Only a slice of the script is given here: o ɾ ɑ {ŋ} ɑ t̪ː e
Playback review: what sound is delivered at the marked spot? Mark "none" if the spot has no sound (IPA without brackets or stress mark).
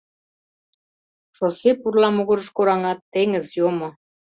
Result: ŋ